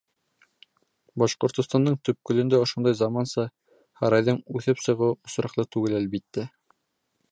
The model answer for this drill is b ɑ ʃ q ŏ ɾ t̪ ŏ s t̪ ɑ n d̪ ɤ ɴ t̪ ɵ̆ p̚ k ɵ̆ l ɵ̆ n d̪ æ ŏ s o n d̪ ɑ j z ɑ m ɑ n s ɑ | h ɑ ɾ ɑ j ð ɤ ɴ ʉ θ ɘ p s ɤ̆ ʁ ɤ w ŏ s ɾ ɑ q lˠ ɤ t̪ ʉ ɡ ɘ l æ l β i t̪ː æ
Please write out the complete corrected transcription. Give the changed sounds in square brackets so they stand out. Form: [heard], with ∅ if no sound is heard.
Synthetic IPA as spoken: b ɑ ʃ q ŏ ɾ t̪ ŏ s t̪ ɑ n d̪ ɤ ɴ t̪ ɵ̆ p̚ k ɵ̆ l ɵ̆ n d̪ æ ŏ [ʃ] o n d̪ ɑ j z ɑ m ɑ n s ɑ | h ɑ ɾ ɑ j ð ɤ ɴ ʉ θ ɘ p s ɤ̆ ʁ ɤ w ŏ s ɾ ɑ q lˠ ɤ t̪ ʉ ɡ ɘ l æ l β i t̪ː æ